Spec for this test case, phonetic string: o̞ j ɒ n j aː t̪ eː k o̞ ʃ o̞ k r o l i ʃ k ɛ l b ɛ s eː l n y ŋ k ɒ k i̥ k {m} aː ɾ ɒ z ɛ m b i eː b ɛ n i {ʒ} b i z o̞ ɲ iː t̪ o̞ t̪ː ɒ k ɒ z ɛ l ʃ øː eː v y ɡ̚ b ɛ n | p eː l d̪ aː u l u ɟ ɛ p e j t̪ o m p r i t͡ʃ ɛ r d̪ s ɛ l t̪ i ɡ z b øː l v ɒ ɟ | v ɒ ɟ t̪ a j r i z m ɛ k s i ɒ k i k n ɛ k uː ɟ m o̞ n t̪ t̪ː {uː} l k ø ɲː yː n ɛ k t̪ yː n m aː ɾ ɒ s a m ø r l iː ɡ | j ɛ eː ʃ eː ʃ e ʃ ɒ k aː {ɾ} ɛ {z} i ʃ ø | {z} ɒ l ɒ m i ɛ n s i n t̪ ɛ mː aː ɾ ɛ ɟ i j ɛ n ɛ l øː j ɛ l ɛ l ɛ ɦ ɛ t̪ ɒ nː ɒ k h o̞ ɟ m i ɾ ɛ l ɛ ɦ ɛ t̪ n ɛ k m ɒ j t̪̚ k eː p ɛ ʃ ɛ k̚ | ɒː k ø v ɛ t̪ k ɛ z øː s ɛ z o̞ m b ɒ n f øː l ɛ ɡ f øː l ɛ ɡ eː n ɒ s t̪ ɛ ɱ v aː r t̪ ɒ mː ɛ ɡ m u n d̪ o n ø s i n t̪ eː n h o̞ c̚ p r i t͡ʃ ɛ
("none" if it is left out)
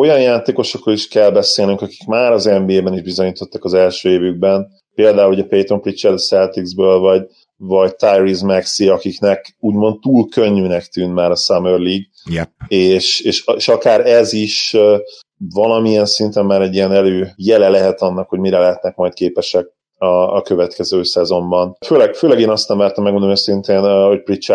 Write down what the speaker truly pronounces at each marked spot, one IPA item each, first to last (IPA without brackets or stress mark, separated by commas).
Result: m, ʒ, uː, ɾ, z, v